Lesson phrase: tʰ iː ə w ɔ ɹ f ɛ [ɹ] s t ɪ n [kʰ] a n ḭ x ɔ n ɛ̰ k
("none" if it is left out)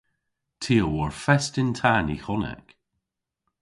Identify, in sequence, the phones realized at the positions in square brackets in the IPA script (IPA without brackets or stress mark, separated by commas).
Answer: none, tʰ